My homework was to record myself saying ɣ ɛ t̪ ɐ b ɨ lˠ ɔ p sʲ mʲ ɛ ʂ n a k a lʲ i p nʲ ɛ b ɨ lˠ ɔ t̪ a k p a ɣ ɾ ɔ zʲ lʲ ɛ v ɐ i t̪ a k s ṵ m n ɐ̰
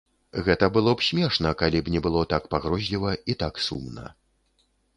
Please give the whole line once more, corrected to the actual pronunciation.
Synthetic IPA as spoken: ɣ ɛ t̪ ɐ b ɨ lˠ ɔ p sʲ mʲ ɛ ʂ n ɐ k a lʲ i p nʲ ɛ b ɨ lˠ ɔ t̪ a k p a ɣ ɾ ɔ zʲ lʲ i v ɐ i t̪ a k s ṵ m n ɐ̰